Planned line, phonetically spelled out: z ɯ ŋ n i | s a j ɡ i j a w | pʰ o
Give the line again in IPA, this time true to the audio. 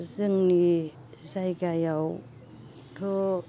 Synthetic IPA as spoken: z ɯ ŋ n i | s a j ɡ a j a w | tʰ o